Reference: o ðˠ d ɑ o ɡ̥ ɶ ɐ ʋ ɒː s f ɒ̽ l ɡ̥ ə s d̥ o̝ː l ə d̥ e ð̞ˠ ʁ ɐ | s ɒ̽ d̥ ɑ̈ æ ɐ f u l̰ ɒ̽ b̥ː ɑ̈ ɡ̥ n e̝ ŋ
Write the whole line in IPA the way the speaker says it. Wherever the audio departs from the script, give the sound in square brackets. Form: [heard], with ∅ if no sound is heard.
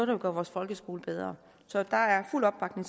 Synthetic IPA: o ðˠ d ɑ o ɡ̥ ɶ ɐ ʋ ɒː s f ɒ̽ l ɡ̥ ə s [ɡ̥] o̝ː l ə [b̥] e ð̞ˠ ʁ ɐ | s ɒ̽ d̥ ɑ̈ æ ɐ f u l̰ ɒ̽ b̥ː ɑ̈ ɡ̥ n e̝ ŋ